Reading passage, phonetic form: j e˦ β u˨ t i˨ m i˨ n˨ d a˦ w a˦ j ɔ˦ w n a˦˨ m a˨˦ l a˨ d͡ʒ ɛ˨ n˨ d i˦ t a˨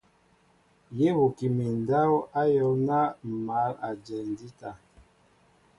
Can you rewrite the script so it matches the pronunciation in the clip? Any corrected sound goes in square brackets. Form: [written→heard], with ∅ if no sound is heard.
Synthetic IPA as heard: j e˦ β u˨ [t→k] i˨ m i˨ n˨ d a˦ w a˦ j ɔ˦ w n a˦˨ m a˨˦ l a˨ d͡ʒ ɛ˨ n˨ d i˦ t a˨